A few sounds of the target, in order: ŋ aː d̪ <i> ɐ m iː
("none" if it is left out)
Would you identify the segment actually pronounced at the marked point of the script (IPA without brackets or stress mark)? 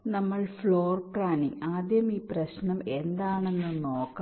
j